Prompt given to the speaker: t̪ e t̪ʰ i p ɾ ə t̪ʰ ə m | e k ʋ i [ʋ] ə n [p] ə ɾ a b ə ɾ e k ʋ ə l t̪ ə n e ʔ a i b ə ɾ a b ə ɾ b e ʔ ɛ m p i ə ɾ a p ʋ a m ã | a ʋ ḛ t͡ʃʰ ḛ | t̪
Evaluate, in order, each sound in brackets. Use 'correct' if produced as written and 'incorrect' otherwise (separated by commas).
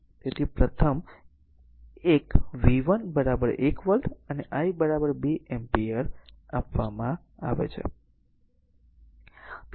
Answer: correct, incorrect